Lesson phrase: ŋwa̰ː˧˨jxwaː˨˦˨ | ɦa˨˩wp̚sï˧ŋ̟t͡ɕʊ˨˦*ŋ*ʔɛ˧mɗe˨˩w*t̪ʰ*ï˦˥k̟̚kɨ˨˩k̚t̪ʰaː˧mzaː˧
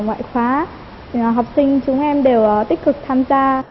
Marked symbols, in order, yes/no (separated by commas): no, no